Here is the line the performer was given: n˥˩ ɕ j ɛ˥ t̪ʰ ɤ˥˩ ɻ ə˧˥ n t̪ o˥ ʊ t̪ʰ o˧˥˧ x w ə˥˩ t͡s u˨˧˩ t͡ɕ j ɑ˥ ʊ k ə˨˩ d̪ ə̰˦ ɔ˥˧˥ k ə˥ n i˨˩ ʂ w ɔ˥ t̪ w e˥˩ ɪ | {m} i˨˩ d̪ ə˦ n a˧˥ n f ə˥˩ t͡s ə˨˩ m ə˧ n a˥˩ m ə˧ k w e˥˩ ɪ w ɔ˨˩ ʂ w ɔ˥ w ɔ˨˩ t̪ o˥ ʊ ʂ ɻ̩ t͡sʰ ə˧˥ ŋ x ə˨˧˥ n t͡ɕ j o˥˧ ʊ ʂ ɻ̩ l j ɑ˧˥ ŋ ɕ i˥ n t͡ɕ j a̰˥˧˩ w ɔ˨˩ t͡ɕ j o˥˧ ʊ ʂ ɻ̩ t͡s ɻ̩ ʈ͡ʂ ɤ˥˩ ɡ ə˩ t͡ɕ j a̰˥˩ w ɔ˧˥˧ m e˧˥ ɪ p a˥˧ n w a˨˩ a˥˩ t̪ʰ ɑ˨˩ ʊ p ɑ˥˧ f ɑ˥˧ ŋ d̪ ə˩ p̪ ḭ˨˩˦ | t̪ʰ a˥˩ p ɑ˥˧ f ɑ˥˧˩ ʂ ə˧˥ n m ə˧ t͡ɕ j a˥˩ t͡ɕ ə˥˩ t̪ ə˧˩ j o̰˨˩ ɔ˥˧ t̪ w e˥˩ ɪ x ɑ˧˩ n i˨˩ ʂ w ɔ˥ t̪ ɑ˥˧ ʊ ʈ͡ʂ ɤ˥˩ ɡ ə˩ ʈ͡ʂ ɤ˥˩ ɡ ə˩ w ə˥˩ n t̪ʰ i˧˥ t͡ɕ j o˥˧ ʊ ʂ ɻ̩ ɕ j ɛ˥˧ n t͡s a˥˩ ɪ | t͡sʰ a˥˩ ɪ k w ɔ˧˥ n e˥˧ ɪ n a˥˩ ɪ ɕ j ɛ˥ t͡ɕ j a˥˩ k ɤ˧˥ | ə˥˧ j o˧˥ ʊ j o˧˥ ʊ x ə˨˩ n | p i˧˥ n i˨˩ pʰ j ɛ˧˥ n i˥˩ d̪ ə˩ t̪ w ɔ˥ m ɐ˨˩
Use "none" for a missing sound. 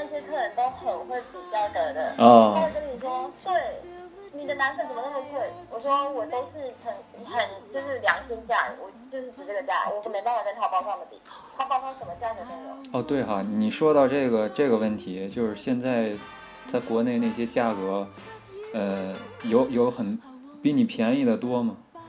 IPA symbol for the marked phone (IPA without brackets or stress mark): n